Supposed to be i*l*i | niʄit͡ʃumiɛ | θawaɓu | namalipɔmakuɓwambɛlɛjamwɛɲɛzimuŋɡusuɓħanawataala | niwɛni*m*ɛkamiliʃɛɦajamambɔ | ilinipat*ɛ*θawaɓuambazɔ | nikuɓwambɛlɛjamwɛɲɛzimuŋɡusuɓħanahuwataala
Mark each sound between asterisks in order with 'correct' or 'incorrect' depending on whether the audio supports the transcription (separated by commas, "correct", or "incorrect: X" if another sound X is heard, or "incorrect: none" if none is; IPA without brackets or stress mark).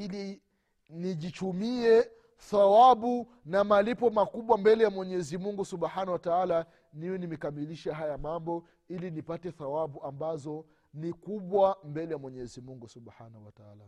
correct, correct, correct